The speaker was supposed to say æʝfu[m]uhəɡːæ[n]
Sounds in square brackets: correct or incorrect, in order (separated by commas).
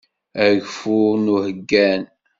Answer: incorrect, correct